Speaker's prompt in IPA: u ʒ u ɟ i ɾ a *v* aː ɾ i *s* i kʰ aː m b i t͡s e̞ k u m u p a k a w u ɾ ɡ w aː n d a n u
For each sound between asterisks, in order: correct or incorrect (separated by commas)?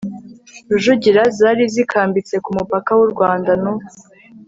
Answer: incorrect, incorrect